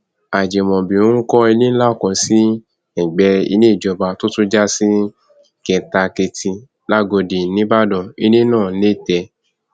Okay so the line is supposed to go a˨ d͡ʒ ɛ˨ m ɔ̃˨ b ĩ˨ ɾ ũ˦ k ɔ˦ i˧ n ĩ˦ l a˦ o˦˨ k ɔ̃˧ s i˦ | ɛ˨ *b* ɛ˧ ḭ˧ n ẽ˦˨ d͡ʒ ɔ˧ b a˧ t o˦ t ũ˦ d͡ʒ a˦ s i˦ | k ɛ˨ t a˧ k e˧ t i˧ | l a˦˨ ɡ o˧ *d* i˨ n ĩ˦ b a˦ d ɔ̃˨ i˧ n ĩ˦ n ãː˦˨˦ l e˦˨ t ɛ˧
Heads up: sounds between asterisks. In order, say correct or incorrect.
incorrect: ɡ͡b, correct

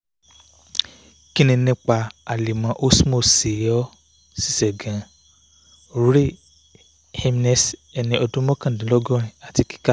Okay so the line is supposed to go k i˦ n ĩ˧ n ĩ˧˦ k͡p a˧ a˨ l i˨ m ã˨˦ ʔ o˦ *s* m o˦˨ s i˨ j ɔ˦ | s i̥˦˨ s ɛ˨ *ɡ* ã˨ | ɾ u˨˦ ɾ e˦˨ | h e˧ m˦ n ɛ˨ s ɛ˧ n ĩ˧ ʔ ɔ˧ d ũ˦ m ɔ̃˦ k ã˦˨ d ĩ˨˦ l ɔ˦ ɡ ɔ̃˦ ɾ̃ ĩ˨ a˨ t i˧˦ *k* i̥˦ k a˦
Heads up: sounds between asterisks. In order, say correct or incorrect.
correct, correct, correct

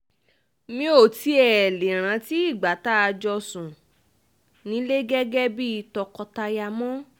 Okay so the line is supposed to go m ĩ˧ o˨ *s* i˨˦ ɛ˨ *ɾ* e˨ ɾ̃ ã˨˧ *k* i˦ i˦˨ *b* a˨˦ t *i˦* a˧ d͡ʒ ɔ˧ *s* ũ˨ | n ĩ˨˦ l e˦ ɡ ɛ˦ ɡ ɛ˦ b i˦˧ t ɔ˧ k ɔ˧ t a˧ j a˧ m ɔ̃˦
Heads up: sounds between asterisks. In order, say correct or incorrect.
incorrect: t, incorrect: l, incorrect: t, incorrect: ɡ͡b, incorrect: a˦, correct

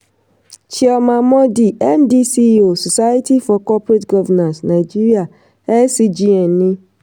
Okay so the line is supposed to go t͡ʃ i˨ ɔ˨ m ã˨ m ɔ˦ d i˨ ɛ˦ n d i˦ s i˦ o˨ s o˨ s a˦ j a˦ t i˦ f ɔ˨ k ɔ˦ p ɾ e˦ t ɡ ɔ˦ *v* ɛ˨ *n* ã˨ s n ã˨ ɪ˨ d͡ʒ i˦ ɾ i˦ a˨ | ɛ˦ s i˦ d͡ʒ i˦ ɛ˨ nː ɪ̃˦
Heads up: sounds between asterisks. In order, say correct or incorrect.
correct, correct

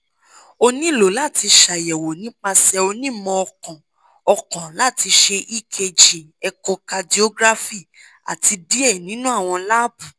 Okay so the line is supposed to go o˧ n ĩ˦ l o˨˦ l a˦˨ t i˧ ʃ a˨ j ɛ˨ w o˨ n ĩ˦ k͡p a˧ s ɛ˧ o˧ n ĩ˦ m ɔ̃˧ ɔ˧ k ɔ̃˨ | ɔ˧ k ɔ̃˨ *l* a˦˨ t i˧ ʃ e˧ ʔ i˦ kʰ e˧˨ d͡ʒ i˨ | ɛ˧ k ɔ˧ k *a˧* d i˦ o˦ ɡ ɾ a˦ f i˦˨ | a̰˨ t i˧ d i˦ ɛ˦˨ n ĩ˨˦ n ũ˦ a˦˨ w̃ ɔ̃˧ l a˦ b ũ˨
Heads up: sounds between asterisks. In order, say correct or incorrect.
correct, correct

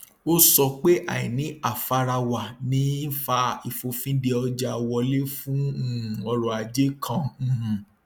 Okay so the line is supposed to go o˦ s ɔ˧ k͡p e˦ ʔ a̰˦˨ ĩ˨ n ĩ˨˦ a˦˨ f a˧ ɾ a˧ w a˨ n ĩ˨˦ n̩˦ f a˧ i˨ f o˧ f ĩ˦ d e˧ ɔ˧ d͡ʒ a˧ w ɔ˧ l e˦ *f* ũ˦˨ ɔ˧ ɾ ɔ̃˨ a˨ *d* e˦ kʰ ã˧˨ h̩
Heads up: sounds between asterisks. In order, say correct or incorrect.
correct, incorrect: d͡ʒ

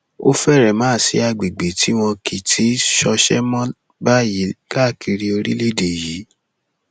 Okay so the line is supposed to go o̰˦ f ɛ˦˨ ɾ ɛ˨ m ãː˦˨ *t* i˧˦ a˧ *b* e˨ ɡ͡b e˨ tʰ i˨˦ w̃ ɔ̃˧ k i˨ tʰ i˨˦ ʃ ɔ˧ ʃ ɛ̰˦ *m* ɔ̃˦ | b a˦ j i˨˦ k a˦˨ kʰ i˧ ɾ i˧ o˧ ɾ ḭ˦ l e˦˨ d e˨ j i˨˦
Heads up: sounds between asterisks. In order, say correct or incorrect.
incorrect: s, incorrect: ɡ͡b, correct

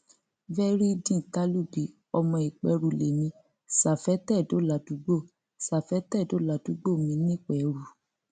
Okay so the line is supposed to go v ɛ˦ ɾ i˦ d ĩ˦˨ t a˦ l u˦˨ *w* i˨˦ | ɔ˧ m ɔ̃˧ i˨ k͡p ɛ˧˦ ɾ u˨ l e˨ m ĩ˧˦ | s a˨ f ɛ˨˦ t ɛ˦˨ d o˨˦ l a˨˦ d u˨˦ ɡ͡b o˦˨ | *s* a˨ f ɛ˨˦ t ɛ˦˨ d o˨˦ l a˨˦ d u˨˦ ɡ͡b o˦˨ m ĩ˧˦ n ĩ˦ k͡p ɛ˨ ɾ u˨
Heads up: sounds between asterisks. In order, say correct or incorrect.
incorrect: b, correct

